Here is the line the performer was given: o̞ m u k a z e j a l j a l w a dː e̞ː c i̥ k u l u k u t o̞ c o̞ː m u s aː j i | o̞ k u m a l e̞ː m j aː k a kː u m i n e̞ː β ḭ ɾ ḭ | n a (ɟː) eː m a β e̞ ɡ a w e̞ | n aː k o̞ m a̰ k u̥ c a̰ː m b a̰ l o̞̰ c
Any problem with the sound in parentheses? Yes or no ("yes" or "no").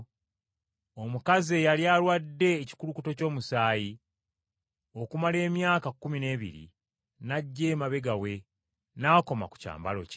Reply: no